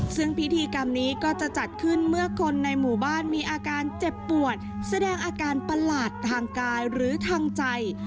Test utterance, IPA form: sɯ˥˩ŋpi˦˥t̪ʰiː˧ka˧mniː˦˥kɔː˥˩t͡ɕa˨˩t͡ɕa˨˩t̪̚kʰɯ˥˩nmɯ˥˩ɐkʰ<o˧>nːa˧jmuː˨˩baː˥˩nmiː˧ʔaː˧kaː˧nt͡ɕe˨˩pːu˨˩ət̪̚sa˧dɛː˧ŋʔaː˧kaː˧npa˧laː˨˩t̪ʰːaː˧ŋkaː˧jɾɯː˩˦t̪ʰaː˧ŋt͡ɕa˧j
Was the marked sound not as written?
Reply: no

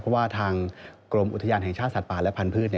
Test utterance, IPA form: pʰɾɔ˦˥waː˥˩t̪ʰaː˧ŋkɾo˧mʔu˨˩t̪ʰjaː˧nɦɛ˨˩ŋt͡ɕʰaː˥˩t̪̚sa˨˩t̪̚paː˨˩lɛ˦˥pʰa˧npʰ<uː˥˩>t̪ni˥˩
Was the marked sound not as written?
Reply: yes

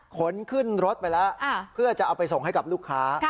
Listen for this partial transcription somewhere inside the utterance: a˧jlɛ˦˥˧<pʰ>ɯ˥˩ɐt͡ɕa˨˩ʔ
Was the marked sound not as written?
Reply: no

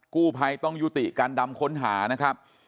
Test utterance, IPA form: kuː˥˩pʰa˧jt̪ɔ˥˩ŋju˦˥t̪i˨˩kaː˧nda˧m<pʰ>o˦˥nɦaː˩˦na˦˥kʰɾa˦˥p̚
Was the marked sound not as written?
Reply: yes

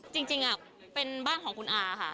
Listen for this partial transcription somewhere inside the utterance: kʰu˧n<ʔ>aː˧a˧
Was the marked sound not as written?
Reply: no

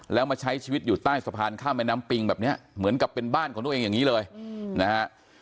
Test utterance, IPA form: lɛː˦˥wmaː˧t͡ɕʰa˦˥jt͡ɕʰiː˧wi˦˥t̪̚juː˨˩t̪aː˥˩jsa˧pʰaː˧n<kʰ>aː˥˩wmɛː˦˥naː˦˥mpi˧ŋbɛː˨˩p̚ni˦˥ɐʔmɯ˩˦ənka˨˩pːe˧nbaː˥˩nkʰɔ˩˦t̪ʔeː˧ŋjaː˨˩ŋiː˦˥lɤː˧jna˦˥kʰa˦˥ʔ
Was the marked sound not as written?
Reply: no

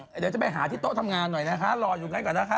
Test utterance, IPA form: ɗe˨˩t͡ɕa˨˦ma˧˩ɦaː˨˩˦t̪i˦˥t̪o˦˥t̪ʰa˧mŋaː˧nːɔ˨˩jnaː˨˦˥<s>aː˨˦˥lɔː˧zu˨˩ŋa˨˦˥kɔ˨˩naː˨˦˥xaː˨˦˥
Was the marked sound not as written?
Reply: yes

